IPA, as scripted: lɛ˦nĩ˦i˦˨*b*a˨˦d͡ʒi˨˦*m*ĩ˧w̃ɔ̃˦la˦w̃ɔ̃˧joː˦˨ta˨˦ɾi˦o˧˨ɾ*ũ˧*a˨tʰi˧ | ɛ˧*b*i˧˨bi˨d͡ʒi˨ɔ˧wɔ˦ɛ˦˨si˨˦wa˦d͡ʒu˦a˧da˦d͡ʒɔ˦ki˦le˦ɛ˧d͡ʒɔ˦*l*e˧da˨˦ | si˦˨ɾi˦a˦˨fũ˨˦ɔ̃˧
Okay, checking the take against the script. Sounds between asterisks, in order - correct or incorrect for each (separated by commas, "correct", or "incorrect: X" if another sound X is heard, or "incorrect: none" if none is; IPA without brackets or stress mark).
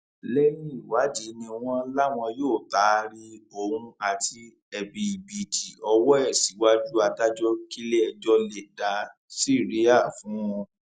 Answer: incorrect: w, incorrect: n, correct, correct, correct